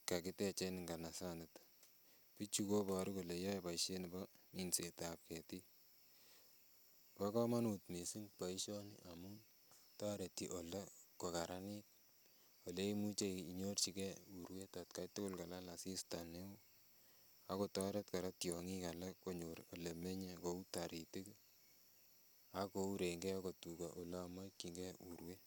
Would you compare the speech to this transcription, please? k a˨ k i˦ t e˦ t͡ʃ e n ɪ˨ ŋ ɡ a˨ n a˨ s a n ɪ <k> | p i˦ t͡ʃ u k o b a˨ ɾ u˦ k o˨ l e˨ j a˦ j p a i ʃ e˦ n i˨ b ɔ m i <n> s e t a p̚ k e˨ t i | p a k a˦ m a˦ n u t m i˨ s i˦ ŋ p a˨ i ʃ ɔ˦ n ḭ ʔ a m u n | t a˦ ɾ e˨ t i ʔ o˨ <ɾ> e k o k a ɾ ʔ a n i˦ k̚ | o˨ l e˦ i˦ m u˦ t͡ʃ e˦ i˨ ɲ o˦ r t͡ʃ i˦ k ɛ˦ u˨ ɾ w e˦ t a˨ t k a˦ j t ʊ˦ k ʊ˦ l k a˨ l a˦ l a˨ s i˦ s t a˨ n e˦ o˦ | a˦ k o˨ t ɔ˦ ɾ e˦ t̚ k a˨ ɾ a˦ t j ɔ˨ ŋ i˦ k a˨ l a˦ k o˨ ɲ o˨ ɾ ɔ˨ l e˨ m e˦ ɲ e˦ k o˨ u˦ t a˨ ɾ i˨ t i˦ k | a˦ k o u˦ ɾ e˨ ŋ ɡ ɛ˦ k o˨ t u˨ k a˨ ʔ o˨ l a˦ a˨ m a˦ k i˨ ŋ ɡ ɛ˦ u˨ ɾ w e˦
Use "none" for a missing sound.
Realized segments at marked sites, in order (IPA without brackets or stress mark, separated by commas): t, n, l